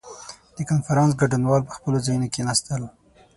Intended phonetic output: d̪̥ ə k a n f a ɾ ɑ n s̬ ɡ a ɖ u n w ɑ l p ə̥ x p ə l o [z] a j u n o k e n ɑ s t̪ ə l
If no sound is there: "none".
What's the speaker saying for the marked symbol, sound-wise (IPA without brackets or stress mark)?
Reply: z